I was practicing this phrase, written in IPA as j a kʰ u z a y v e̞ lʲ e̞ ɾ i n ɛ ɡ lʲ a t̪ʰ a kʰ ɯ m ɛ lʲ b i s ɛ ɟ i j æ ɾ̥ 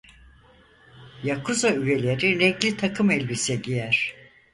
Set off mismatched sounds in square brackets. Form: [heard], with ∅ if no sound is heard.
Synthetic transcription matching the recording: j a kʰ u z a y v e̞ lʲ e̞ ɾ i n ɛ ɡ lʲ [i] t̪ʰ a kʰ ɯ m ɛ lʲ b i s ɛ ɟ i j æ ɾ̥